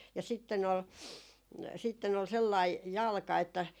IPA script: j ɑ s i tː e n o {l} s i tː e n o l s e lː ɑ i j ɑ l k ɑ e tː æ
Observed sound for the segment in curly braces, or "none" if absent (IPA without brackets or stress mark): l